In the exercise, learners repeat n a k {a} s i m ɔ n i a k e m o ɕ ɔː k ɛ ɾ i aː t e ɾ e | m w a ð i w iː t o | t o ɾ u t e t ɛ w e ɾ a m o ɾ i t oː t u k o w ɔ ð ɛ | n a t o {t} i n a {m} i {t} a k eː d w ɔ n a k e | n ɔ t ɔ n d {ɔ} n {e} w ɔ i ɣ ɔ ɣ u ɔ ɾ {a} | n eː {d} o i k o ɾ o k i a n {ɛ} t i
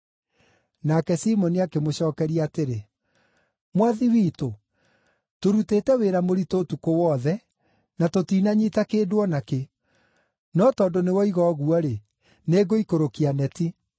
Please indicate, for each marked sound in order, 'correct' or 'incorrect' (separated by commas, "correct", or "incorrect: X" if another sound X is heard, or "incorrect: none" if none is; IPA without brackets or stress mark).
incorrect: ɛ, correct, incorrect: ɲ, correct, incorrect: o, correct, incorrect: e, incorrect: ɡ, correct